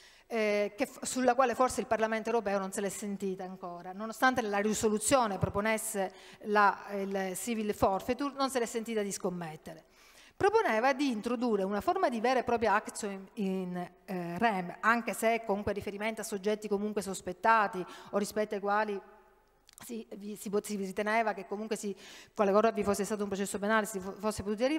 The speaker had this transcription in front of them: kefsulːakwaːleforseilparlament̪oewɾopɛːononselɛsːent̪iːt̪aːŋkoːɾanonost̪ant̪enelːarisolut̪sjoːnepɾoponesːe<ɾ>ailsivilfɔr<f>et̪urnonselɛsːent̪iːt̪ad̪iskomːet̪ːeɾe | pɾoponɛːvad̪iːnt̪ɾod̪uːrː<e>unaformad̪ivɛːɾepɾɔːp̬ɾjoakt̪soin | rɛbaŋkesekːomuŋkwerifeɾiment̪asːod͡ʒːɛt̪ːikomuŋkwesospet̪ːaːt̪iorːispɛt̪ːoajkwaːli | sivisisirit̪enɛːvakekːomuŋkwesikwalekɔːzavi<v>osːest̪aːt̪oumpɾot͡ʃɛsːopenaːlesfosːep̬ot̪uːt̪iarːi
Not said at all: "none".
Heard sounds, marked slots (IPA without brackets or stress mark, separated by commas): l, f, e, f